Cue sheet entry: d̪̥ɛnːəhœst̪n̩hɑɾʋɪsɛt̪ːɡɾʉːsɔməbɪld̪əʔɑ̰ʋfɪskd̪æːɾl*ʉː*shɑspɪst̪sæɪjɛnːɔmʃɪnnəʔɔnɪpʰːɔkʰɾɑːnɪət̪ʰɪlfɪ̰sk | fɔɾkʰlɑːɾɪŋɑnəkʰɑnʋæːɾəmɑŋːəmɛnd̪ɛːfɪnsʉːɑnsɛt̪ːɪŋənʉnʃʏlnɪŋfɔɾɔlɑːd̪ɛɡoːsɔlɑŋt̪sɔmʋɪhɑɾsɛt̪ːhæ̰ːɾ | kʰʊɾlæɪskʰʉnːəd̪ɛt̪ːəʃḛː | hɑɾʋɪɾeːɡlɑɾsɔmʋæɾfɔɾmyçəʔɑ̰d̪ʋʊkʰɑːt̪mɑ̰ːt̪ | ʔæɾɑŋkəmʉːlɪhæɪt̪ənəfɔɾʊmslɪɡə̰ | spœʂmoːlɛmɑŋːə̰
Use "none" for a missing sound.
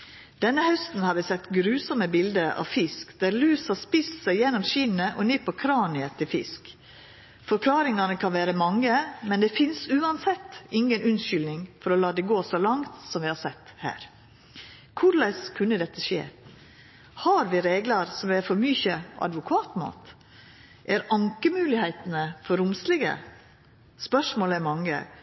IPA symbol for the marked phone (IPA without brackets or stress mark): ʉː